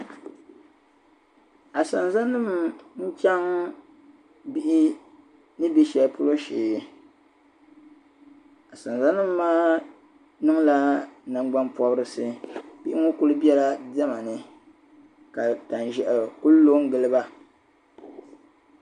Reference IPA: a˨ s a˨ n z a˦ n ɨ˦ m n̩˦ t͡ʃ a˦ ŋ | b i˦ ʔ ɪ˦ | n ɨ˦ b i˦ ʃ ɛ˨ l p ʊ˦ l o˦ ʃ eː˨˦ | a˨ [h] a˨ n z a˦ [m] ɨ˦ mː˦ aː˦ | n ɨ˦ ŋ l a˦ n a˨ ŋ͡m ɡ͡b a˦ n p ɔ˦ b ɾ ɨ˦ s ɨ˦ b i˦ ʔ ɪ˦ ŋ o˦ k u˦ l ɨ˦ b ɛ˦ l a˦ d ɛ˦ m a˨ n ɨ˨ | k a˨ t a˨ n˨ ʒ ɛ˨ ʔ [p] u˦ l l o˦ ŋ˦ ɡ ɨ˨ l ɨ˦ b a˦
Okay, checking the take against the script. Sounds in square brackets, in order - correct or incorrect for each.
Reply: incorrect: s, incorrect: n, incorrect: k

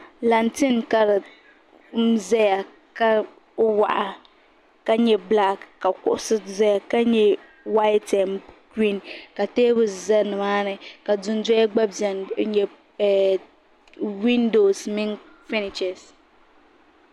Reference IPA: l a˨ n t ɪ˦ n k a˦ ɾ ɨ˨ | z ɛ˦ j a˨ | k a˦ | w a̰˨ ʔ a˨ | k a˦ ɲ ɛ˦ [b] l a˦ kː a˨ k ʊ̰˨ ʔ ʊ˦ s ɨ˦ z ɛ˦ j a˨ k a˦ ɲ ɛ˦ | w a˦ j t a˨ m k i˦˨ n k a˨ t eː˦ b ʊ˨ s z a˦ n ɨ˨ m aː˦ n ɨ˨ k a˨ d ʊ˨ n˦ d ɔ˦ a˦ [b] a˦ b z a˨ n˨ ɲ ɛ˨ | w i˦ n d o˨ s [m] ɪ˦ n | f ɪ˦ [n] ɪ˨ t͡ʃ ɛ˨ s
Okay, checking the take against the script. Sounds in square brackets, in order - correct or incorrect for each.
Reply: correct, incorrect: ɡ͡b, correct, correct

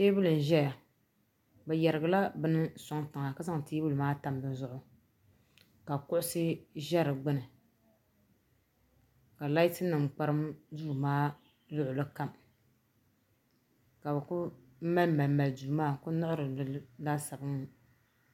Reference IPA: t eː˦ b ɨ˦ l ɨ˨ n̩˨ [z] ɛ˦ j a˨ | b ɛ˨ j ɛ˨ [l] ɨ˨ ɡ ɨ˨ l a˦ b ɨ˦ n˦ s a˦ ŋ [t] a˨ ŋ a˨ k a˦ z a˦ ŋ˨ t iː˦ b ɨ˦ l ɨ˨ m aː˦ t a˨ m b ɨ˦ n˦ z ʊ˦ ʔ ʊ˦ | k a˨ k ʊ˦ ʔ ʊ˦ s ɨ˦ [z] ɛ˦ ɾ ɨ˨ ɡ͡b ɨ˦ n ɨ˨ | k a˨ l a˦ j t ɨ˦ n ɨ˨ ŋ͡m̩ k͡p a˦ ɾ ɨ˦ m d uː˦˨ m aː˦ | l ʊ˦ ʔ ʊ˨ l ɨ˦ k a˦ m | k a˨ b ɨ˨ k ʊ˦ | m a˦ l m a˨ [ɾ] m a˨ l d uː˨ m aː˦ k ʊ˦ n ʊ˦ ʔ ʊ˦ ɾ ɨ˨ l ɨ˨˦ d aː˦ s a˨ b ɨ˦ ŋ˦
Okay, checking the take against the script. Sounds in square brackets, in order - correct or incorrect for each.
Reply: incorrect: ʒ, incorrect: ɾ, correct, incorrect: ʒ, incorrect: l

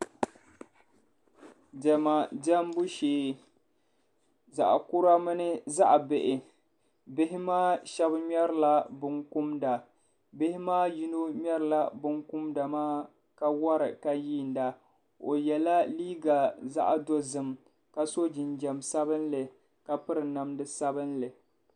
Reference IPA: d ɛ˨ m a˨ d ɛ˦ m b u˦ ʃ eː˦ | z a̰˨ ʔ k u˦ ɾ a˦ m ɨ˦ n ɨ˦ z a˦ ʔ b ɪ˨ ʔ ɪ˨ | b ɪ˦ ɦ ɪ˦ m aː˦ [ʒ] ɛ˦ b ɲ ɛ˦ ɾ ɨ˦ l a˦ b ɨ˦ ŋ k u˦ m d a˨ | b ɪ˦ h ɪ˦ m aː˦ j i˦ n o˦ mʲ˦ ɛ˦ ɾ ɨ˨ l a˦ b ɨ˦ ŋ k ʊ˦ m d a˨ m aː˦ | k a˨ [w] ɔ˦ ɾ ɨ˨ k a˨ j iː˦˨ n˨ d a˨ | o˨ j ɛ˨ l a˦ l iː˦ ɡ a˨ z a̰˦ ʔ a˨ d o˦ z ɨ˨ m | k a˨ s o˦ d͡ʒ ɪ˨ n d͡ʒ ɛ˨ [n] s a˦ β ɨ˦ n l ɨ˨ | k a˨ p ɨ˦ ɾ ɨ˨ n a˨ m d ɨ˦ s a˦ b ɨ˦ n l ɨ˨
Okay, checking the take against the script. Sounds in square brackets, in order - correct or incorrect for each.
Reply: incorrect: ʃ, correct, incorrect: m

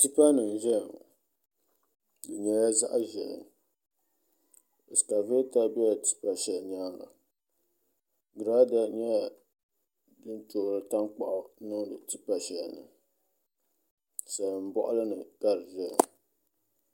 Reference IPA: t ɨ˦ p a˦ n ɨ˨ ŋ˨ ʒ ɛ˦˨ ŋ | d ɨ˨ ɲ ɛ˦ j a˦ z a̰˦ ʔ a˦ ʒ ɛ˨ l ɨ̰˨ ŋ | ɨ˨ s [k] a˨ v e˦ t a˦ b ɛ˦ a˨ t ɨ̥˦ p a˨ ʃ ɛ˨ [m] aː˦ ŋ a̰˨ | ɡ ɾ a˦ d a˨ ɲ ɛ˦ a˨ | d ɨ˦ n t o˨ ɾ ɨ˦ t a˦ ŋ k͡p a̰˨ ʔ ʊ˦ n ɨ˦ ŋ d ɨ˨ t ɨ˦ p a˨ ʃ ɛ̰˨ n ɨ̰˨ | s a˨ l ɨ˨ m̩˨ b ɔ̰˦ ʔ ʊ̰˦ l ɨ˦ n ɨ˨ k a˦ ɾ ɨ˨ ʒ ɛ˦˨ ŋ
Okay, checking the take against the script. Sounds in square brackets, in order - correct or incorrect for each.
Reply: correct, incorrect: ɲ

